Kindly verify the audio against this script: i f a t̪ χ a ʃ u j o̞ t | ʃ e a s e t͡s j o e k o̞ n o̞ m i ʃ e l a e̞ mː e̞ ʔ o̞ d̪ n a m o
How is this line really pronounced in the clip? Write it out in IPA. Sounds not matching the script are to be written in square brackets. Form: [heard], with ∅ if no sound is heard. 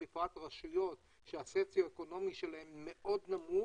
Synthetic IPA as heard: i f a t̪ [ʁ] a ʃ u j o̞ t | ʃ e a s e t͡s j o e k o̞ n o̞ m i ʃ e l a e̞ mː e̞ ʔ o̞ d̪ n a m [u]

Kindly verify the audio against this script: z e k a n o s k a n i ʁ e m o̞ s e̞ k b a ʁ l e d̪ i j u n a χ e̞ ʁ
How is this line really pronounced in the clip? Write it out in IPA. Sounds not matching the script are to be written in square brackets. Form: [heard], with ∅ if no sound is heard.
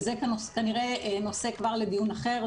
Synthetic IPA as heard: z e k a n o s k a n i ʁ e [n] o̞ s e̞ k [v] a ʁ l e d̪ i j u n a χ e̞ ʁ

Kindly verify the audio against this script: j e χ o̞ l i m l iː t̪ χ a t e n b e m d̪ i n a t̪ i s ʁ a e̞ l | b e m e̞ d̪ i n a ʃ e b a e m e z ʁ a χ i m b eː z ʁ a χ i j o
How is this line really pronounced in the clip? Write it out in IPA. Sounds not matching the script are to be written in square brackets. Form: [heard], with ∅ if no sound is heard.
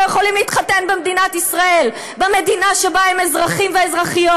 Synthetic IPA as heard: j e χ o̞ l i m l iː t̪ χ a t e n b e m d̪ i n a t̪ i s ʁ a e̞ l | b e m e̞ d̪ i n a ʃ e b a e m e z ʁ a χ i m [v] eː z ʁ a χ i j o

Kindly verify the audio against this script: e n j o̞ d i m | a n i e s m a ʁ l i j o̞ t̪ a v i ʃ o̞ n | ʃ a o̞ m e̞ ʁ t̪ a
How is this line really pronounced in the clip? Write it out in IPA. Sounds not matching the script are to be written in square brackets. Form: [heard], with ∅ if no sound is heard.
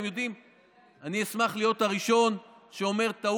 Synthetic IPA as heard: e [m] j o̞ d i m | a n i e s m a [χ] l i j o̞ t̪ a [ʁ] i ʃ o̞ n | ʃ [e] o̞ m e̞ ʁ t̪ a

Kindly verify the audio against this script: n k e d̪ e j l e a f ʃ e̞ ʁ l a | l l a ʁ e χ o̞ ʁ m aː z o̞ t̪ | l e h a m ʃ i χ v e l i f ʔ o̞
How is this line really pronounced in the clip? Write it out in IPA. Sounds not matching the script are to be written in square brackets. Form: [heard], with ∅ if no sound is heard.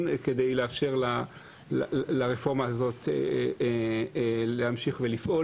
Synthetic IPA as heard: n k e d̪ e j l e a f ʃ e̞ ʁ l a | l l a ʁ e [f] o̞ ʁ m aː z o̞ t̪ | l e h a m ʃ i χ v e l i f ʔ o̞

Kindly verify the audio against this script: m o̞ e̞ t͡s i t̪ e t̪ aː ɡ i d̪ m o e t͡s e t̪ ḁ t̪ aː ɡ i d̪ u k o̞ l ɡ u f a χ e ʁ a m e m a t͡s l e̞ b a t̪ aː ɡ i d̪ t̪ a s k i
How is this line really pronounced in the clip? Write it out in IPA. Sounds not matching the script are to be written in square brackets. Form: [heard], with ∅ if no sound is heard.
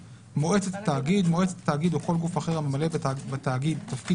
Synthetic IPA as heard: m o̞ e̞ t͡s [e] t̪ [a] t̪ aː ɡ i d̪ m o e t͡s e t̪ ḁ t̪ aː ɡ i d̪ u k o̞ l ɡ u f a χ e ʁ a m e m a [∅] l e̞ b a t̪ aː ɡ i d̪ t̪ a [f] k i

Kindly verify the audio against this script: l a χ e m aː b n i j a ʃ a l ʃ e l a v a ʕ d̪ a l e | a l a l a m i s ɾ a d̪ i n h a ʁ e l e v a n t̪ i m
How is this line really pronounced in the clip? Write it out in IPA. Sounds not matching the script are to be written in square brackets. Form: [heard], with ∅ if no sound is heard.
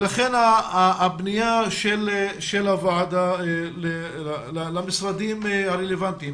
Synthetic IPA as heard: l a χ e [n] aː b n i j a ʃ [e] l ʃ e l a v a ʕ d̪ a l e | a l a l a m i s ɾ a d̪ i [m] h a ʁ e l e v a n t̪ i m

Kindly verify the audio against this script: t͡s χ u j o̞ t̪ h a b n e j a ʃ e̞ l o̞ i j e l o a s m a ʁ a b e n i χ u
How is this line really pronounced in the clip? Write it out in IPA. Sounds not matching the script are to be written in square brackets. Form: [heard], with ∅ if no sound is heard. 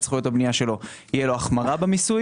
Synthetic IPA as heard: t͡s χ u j o̞ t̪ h a b n [i] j a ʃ e̞ l o̞ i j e l o a [χ] m a ʁ a b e [m] i [s] u

